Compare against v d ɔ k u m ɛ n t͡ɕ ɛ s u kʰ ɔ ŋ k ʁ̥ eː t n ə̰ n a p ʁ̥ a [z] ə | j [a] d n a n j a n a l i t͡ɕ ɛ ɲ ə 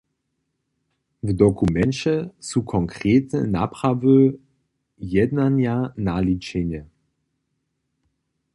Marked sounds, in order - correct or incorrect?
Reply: incorrect: v, incorrect: ɛ

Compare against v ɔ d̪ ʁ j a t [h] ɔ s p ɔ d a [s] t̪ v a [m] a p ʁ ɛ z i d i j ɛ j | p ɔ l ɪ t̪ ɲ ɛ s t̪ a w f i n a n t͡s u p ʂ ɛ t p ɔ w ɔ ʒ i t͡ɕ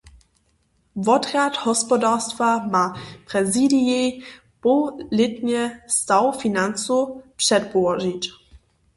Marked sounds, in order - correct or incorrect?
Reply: correct, correct, correct

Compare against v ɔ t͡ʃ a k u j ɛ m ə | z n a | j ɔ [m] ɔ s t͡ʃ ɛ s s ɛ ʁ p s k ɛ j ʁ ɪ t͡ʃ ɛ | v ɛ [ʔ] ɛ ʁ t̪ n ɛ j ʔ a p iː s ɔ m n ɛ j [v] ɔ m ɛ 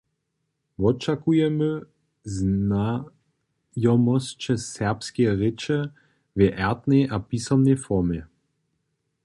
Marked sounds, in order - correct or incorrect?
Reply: correct, correct, incorrect: f

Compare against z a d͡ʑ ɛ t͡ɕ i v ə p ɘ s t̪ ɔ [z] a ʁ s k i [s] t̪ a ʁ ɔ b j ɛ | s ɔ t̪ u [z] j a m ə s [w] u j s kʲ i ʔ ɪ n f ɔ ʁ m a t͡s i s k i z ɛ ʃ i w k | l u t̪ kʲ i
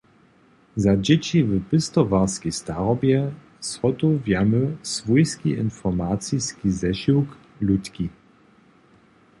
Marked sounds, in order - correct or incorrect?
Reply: incorrect: v, correct, incorrect: v, incorrect: v

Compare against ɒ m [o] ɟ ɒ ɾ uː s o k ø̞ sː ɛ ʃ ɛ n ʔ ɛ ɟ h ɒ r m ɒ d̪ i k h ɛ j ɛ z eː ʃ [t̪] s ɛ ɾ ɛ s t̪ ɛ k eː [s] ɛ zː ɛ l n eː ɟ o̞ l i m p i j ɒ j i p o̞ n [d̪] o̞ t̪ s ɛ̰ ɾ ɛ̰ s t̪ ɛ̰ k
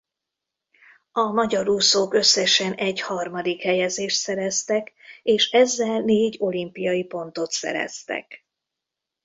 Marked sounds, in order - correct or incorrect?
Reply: incorrect: ɒ, correct, incorrect: ʃ, incorrect: t̪

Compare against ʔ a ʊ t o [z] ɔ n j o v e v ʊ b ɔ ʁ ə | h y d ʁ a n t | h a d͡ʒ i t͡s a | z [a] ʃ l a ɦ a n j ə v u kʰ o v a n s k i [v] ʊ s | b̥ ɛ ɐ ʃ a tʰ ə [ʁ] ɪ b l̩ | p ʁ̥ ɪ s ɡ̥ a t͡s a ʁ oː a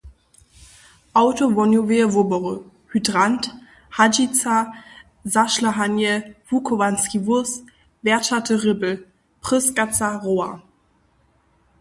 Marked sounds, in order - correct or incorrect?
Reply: incorrect: v, correct, correct, correct

